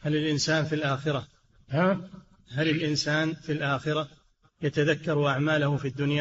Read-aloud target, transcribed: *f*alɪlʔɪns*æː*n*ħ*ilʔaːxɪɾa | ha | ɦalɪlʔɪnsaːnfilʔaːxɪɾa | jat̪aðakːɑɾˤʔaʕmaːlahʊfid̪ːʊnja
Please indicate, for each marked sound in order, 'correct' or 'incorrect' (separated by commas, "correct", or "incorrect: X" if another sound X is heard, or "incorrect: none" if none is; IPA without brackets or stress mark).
incorrect: h, incorrect: aː, incorrect: f